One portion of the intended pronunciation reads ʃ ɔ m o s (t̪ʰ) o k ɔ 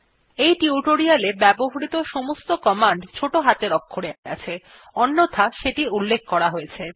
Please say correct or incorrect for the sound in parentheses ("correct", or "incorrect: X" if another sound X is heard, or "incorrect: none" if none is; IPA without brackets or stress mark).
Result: incorrect: t̪